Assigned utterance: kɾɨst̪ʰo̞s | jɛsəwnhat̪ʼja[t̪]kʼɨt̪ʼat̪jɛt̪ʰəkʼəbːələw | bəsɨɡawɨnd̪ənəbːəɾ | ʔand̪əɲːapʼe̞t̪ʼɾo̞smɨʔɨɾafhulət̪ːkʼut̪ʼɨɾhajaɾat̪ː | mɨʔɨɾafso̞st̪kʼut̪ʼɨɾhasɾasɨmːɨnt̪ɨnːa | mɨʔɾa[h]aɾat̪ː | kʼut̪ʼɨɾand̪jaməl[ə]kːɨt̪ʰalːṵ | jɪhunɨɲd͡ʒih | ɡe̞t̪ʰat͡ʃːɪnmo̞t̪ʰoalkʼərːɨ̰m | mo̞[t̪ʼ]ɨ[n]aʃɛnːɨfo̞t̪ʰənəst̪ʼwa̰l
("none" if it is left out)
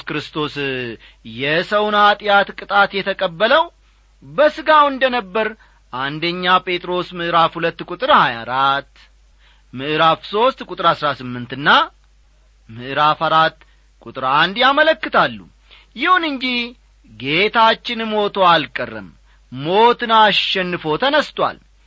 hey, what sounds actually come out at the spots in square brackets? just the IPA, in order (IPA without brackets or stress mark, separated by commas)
t̪, f, ə, t̪, n